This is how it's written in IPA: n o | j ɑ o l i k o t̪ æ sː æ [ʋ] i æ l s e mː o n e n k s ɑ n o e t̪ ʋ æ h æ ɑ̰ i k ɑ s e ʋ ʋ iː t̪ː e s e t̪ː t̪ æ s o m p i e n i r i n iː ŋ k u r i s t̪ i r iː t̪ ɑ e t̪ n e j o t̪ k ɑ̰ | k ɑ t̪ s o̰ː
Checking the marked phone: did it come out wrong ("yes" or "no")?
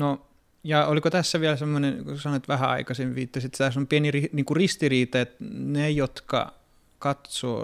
no